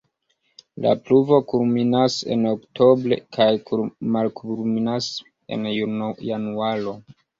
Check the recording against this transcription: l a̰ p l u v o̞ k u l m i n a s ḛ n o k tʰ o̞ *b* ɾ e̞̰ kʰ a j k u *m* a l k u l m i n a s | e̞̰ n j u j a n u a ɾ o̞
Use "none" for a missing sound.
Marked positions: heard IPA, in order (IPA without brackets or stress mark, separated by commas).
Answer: b, m